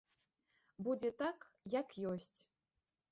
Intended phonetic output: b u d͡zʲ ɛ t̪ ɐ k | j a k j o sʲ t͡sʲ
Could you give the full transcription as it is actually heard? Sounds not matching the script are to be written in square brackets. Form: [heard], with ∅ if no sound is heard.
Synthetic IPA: b u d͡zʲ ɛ t̪ [a] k | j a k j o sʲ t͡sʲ